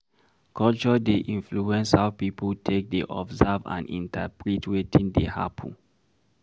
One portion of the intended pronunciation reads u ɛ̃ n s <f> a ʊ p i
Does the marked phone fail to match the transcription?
yes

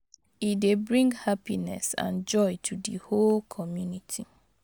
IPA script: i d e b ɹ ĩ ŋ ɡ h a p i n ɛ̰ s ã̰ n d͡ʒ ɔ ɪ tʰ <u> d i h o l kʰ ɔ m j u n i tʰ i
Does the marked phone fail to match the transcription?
no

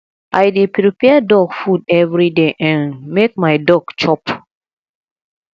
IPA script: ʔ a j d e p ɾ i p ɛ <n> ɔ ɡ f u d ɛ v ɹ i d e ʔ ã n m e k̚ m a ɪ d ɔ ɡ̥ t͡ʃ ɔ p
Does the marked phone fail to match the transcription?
yes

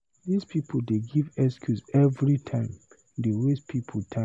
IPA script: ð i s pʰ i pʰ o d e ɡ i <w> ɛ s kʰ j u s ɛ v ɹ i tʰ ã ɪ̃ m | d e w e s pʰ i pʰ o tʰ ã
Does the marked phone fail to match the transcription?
yes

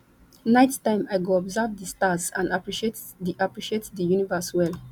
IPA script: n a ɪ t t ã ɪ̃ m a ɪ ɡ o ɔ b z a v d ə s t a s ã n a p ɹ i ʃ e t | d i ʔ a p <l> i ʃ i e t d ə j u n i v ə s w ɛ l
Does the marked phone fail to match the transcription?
yes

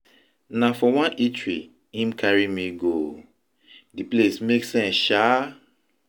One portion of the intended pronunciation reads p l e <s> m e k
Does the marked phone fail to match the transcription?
no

